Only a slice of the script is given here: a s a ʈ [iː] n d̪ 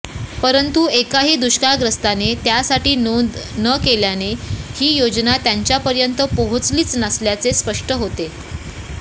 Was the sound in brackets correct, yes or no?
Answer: yes